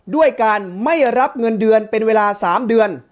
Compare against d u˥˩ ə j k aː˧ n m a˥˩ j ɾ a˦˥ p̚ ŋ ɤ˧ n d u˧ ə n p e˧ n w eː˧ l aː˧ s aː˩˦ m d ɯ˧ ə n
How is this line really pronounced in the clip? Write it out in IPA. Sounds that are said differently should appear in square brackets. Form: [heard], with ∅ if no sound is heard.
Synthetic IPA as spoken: d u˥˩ ə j k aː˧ n m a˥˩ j ɾ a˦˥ p̚ ŋ ɤ˧ n d [ɯ˧] ə n p e˧ n w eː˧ l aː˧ s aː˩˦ m d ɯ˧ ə n